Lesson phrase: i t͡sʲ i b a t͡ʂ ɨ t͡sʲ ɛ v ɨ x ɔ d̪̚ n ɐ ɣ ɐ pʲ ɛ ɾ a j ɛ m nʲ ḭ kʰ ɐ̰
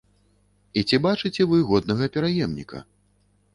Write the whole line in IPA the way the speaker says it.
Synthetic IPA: i t͡sʲ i b a t͡ʂ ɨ t͡sʲ ɛ v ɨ ɣ ɔ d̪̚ n ɐ ɣ ɐ pʲ ɛ ɾ a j ɛ m nʲ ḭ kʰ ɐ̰